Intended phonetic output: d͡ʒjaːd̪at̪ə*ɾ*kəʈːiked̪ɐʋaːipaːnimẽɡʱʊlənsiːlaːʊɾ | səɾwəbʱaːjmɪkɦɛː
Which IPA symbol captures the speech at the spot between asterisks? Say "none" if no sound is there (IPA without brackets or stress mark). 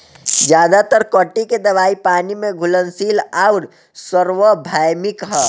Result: ɾ